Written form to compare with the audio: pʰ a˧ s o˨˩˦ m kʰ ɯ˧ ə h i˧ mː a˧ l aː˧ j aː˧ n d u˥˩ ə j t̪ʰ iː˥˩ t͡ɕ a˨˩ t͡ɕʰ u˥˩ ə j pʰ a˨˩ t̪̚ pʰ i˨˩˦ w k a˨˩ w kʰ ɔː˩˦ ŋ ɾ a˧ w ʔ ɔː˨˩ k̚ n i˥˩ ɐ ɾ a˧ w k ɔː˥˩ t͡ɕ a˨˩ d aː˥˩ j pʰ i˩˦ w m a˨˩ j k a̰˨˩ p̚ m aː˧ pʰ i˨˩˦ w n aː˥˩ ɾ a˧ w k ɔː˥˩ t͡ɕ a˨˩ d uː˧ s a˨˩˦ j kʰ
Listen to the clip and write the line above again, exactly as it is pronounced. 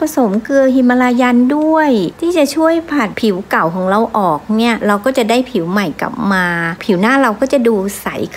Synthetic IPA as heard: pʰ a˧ s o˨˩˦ m k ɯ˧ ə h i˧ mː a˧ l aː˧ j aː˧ n d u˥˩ ə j t̪ʰ iː˥˩ t͡ɕ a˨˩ t͡ɕʰ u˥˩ ə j pʰ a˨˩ t̪̚ pʰ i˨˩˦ w k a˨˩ w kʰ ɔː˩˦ ŋ ɾ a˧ w ʔ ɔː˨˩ k̚ n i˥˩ ɐ ɾ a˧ w k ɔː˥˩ t͡ɕ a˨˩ d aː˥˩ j pʰ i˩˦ w m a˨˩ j k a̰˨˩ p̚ m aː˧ pʰ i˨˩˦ w n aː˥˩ ɾ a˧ w k ɔː˥˩ t͡ɕ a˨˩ d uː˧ s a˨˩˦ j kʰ